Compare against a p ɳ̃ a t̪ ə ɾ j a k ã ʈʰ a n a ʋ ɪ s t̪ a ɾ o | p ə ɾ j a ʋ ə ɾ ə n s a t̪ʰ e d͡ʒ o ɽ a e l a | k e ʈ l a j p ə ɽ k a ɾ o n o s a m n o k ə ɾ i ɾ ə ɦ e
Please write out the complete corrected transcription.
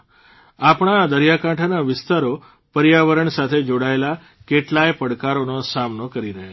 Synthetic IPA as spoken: a p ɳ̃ a d̪ ə ɾ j a k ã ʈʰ a n a ʋ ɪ s t̪ a ɾ o | p ə ɾ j a ʋ ə ɾ ə ɳ s a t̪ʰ e d͡ʒ o ɽ a e l a | k e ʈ l a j p ə ɽ k a ɾ o n o s a m n o k ə ɾ i ɾ ə ɦ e